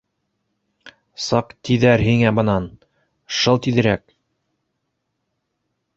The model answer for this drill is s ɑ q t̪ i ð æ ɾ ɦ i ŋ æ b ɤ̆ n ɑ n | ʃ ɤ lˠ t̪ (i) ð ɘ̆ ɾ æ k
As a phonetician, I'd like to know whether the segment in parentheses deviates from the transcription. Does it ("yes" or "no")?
no